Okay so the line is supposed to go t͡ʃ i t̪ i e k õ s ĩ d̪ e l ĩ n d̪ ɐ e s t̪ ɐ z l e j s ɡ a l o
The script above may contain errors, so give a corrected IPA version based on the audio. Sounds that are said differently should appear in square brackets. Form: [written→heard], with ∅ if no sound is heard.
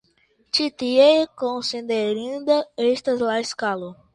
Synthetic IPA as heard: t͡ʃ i t̪ i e k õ s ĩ d̪ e [l→ɾ] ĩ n d̪ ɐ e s t̪ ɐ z l [e→a] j s [ɡ→k] a l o